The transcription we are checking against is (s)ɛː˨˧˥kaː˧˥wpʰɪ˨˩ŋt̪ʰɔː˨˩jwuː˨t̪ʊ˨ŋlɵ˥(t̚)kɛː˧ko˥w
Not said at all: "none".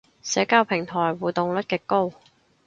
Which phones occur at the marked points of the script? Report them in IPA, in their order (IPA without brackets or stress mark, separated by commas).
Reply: s, t̚